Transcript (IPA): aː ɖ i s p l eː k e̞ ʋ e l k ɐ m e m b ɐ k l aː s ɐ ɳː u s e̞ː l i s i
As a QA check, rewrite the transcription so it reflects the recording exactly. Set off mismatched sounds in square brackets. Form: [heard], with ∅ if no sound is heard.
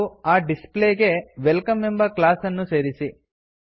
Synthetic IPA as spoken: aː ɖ i s p l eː [ɡ] e̞ ʋ e l k ɐ m e m b ɐ k l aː s ɐ [nː] u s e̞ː [ɾ] i s i